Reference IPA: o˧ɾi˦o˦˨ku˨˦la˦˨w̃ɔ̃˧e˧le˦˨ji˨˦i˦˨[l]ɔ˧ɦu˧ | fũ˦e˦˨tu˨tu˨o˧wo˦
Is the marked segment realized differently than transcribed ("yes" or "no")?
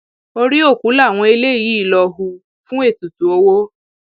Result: no